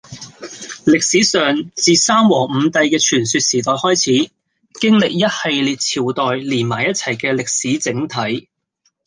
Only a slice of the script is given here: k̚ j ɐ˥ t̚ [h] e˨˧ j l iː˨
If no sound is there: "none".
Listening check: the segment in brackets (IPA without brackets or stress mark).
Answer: h